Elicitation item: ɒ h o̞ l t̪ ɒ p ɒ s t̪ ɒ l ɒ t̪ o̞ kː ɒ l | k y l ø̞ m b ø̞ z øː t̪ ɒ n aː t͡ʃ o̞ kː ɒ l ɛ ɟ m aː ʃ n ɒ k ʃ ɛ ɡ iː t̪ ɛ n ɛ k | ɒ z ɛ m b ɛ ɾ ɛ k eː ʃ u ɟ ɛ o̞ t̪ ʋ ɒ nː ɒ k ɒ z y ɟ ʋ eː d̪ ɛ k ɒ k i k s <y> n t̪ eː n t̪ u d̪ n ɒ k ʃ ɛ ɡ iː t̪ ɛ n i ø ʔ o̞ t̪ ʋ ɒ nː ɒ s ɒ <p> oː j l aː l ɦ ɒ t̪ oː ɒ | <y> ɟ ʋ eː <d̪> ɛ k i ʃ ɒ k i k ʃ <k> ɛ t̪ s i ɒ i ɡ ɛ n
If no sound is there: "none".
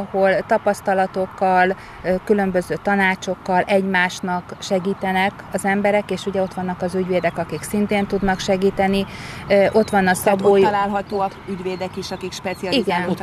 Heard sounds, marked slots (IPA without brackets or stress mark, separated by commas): i, b, y, d̪, p